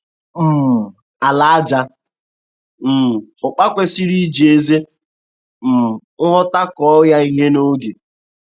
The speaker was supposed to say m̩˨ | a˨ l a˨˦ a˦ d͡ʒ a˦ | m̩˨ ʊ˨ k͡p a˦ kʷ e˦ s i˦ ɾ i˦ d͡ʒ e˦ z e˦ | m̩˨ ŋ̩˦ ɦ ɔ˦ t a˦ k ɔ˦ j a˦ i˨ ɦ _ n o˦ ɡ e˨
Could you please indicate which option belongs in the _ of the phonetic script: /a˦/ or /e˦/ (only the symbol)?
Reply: e˦